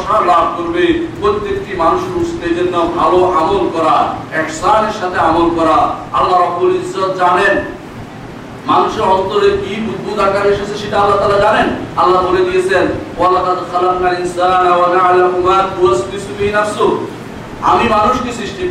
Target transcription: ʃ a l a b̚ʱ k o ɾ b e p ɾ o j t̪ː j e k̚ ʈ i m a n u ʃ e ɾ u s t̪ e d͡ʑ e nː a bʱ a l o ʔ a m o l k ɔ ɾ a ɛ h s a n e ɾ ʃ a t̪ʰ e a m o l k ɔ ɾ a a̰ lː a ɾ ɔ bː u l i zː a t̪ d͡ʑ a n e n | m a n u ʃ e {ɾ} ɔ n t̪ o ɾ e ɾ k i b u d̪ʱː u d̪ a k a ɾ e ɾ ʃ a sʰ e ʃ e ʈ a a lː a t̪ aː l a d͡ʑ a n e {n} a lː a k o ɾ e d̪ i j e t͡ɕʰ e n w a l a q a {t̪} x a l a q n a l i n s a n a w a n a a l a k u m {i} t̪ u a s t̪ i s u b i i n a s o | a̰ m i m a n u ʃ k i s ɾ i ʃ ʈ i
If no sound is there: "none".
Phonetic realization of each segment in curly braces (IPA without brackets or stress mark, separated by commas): ɾ, n, d̪, a